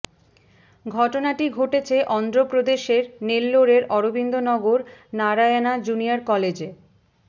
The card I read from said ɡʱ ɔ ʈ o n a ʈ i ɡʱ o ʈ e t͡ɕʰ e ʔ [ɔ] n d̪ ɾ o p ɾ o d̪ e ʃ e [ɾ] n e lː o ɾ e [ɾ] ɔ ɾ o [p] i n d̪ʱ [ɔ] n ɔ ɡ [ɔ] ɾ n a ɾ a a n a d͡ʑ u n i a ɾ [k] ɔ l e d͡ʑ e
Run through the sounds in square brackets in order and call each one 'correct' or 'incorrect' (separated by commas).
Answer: correct, correct, correct, incorrect, incorrect, incorrect, correct